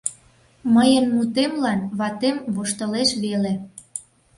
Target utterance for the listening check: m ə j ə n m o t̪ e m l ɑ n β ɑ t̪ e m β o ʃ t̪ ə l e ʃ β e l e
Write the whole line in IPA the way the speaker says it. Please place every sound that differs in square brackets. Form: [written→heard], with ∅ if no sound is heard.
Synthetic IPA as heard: m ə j ə n m [o→u] t̪ e m l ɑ n β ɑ t̪ e m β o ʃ t̪ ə l e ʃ β e l e